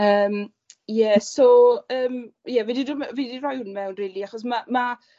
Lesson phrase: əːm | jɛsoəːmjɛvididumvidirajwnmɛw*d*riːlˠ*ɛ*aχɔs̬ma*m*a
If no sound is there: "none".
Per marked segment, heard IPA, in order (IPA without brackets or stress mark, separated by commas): n, i, m